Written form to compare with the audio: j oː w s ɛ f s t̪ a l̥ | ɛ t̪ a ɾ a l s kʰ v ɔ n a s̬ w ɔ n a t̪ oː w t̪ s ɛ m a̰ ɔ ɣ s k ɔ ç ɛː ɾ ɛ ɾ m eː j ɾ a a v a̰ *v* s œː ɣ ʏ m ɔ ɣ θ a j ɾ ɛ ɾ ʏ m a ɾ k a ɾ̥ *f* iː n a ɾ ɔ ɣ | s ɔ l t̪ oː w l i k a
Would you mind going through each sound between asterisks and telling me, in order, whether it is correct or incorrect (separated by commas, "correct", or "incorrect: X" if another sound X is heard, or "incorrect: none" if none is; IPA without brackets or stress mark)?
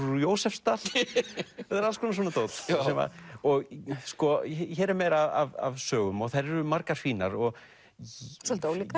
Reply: correct, correct